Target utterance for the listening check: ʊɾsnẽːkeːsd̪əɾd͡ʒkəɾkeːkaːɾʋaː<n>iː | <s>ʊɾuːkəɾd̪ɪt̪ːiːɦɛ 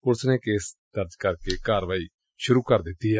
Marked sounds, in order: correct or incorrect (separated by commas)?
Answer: incorrect, incorrect